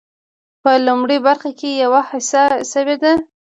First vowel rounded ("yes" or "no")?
no